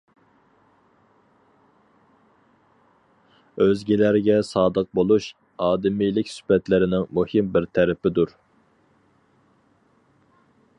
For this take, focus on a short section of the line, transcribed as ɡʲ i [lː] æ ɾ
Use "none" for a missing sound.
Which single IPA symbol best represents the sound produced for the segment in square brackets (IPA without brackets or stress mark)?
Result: l